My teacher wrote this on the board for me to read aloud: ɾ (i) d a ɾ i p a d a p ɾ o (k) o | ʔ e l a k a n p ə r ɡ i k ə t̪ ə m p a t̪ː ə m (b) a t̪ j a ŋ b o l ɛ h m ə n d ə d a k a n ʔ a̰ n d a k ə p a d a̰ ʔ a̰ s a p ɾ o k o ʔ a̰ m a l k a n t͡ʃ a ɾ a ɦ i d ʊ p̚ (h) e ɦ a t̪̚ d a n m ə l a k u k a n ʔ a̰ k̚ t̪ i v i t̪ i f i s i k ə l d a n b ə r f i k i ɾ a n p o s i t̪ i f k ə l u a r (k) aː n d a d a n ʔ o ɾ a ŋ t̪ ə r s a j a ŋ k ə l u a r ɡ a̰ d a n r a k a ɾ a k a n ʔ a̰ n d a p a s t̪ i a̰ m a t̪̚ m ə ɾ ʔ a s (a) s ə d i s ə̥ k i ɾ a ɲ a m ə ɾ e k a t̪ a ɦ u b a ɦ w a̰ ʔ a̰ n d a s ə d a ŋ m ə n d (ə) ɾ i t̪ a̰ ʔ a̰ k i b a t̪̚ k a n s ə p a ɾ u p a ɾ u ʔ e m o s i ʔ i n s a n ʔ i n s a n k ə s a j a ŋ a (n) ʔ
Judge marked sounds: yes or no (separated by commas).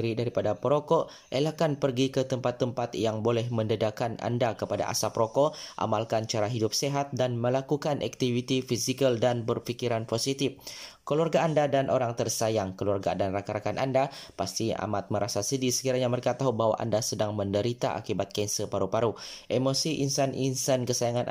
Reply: yes, yes, no, no, no, yes, yes, yes